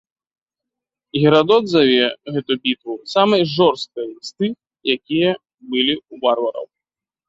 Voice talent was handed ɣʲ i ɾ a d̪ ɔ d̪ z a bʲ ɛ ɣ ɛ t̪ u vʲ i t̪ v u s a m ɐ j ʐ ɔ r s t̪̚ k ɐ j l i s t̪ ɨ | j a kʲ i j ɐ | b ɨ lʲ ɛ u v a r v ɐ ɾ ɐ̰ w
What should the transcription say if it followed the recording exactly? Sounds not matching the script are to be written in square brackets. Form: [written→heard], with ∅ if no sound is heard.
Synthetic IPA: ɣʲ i ɾ a d̪ ɔ d̪ z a [bʲ→vʲ] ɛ ɣ ɛ t̪ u [vʲ→bʲ] i t̪ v u s a m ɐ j ʐ ɔ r s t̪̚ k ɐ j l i s t̪ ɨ | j a kʲ i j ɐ | b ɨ lʲ [ɛ→i] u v a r v ɐ ɾ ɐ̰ w